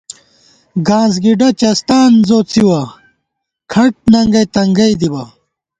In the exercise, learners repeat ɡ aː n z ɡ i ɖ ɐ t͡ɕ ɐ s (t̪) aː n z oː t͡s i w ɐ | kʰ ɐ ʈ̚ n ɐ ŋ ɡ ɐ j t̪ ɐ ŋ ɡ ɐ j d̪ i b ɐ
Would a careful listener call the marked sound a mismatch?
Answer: no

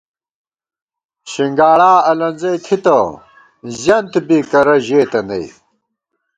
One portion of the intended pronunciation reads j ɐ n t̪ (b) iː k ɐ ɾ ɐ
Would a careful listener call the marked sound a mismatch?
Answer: no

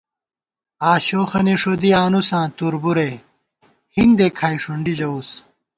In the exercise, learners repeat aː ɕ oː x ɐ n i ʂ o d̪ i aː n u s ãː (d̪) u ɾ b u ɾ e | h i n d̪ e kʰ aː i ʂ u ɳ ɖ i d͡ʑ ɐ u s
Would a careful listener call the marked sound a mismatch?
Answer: yes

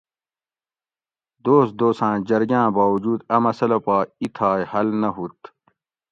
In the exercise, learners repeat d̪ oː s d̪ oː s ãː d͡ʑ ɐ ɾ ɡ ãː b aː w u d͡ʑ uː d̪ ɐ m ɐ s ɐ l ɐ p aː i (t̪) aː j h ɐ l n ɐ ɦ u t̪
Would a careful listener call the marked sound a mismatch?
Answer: yes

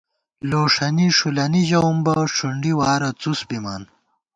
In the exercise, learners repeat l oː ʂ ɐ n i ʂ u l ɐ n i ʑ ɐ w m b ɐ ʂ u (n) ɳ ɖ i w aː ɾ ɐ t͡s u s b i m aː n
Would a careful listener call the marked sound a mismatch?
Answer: yes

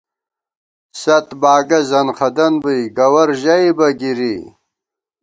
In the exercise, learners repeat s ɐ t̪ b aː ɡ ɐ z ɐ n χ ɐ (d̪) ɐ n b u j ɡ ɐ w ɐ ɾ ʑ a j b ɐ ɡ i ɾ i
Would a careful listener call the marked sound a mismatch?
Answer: no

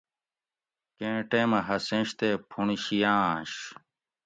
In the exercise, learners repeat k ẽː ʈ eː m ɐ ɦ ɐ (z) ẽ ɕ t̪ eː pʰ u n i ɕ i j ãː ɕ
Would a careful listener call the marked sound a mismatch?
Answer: yes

